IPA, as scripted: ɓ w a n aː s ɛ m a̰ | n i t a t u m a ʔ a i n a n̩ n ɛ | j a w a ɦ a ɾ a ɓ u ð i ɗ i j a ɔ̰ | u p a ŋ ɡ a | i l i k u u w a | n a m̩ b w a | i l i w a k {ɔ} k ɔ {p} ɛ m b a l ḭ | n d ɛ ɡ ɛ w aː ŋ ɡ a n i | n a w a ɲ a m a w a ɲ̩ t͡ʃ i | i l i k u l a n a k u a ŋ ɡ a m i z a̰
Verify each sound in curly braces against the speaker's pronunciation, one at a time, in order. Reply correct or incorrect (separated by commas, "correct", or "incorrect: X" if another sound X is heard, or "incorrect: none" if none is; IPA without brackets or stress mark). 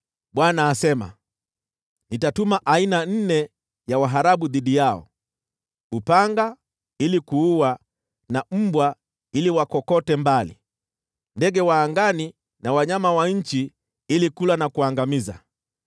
correct, incorrect: t